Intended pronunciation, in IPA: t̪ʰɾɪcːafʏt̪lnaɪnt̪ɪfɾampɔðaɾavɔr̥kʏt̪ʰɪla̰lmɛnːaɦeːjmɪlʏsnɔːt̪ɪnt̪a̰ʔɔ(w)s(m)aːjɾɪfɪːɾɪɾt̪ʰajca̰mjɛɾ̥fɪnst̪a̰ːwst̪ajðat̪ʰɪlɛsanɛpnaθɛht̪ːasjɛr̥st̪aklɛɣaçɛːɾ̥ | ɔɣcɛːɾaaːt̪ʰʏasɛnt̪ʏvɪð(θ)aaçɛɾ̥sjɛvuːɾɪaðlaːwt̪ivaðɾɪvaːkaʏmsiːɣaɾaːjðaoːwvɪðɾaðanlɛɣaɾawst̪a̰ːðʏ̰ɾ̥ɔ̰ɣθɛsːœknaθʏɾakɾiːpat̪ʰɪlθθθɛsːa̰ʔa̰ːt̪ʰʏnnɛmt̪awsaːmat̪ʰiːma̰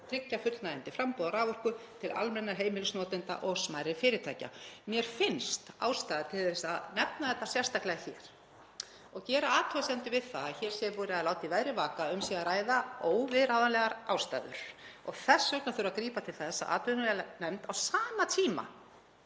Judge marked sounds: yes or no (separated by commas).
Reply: no, yes, yes